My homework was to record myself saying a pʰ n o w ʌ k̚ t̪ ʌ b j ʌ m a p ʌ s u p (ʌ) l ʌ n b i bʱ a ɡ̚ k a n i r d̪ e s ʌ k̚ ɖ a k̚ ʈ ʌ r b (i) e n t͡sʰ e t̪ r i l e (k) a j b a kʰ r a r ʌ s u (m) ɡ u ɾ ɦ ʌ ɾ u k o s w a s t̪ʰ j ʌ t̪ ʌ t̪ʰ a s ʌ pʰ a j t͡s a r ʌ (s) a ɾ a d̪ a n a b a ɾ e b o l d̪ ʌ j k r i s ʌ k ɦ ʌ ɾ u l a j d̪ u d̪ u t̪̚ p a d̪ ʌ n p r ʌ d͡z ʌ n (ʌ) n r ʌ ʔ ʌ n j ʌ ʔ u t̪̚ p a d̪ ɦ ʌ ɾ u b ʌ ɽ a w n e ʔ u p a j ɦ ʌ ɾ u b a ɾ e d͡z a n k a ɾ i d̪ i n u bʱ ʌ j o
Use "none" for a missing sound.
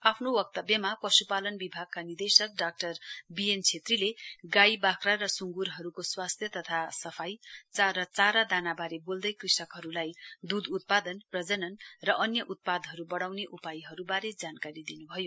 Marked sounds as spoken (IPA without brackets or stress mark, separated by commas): a, i, ɡ, ŋ, t͡s, ʌ